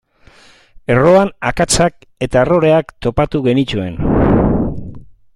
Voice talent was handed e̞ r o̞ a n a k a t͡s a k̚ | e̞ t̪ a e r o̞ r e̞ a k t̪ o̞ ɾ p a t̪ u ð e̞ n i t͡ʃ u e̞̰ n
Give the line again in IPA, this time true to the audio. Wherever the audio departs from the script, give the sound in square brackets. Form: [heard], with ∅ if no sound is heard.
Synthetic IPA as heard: e̞ r o̞ a n a k a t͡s a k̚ | e̞ t̪ a e r o̞ [ɾ] e̞ a k t̪ o̞ [∅] p a t̪ u [ɣ] e̞ n i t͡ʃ u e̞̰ n